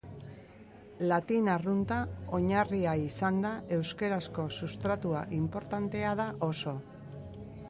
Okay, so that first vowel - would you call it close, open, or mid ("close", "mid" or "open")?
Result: open